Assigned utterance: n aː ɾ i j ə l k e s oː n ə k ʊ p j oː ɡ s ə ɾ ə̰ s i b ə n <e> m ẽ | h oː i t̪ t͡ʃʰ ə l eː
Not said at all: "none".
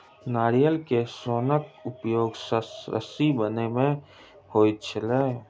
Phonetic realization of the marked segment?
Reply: e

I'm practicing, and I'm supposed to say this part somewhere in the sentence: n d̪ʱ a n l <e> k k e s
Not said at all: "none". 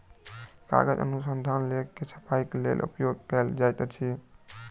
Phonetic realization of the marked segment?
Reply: e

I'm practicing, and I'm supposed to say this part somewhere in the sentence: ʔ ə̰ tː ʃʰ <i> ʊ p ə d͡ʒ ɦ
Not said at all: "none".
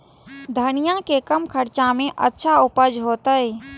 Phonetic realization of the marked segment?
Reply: a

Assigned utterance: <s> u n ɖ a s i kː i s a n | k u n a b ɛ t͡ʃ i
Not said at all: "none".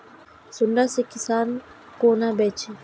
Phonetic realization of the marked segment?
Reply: s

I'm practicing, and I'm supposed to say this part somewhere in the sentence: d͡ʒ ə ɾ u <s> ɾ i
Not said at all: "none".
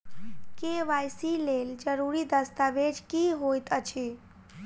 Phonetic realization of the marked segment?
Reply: none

